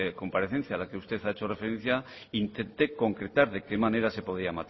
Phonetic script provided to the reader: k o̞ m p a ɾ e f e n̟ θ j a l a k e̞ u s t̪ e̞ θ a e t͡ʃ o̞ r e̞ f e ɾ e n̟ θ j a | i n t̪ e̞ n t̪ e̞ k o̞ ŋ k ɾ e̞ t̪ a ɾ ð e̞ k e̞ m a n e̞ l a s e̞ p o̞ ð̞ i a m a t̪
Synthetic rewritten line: k o̞ m p a ɾ e θ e n̟ θ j a l a k e̞ u s t̪ e̞ θ a e t͡ʃ o̞ r e̞ f e ɾ e n̟ θ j a | i n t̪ e̞ n t̪ e̞ k o̞ ŋ k ɾ e̞ t̪ a ɾ ð e̞ k e̞ m a n e̞ ɾ a s e̞ p o̞ ð̞ i a m a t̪